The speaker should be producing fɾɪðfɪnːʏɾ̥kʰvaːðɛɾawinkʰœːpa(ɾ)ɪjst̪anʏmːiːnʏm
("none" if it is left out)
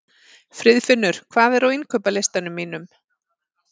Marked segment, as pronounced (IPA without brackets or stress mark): l